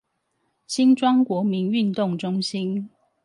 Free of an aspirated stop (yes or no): yes